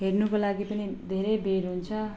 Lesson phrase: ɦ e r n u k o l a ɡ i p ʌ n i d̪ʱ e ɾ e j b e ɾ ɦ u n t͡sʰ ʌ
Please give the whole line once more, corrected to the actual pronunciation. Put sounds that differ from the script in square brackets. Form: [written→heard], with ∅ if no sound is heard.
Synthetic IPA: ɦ e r n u k o l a ɡ i p ʌ n i d̪ʱ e ɾ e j b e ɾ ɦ u n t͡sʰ ʌ